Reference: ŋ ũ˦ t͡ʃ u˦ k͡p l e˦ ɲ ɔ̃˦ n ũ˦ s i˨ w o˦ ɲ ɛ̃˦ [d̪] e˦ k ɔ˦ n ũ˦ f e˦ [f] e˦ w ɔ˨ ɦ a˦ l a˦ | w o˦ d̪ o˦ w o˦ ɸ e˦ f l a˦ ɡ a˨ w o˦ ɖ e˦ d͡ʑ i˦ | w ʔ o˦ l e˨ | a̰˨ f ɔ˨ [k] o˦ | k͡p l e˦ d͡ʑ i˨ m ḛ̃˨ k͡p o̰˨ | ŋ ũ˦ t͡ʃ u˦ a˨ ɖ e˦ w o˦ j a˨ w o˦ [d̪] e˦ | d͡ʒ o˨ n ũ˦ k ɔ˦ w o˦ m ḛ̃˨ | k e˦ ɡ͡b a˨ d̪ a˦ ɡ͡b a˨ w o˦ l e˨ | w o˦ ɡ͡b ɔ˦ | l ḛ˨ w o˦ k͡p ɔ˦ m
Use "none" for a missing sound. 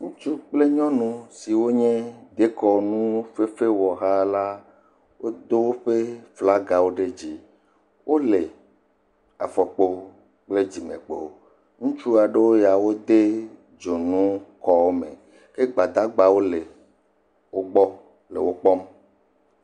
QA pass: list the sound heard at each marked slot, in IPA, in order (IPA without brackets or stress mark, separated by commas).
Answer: d̪, f, k͡p, d̪